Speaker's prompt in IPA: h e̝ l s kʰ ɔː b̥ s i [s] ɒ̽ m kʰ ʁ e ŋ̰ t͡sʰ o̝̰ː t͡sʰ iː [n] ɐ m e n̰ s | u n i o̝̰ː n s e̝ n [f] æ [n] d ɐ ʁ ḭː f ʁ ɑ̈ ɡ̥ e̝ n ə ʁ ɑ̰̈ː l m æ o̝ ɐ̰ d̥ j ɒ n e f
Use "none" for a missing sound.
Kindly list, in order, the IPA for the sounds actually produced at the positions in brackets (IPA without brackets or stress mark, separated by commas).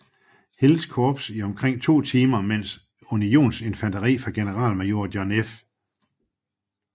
none, m, f, n